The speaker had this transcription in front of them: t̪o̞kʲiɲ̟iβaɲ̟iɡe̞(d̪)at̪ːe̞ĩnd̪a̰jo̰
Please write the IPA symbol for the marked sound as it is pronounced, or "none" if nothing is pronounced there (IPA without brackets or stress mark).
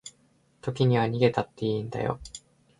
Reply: t̪